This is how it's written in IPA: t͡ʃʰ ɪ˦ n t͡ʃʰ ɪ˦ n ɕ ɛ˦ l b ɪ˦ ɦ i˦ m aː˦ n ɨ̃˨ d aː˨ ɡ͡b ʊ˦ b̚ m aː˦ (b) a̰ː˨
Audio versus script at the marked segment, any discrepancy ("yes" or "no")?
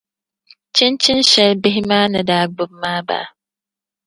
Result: no